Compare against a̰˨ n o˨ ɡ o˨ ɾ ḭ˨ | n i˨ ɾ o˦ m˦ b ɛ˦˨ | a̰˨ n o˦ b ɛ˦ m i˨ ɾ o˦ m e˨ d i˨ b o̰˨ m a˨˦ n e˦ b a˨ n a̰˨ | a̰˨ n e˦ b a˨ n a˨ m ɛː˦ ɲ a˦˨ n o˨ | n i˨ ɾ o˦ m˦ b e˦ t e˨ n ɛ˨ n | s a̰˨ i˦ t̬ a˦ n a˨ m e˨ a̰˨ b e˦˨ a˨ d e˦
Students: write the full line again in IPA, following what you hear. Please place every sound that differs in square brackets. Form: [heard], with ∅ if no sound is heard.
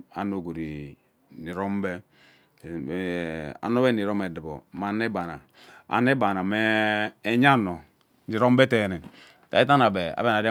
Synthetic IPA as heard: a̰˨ n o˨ ɡ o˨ ɾ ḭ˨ | n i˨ ɾ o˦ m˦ b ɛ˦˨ | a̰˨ n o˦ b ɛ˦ [n] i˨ ɾ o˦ m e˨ d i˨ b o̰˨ m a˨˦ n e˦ b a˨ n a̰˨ | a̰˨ n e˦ b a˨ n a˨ m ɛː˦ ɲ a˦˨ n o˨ | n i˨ ɾ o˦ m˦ b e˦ t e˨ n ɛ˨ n | [t] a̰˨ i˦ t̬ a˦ n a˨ [b] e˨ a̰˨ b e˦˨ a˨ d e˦